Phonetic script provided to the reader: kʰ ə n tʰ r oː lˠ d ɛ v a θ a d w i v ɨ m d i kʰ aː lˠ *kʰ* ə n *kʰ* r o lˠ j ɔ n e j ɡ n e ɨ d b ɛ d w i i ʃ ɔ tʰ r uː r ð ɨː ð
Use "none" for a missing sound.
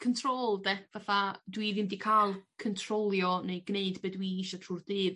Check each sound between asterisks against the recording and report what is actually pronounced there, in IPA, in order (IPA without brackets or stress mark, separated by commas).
kʰ, tʰ